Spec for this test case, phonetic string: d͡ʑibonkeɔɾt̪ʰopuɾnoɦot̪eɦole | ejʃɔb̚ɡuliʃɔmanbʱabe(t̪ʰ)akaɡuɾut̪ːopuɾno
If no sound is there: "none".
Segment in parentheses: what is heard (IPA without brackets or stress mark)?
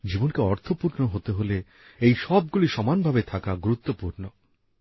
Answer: t̪ʰ